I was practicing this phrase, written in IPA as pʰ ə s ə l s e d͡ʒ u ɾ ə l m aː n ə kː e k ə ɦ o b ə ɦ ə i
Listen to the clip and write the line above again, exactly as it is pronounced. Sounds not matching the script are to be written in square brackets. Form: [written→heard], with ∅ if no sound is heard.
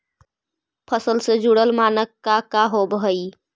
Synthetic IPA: pʰ ə s ə l s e d͡ʒ u [ɾ→ɽ] ə l m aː n ə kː [e→a] k [ə→a] ɦ o b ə ɦ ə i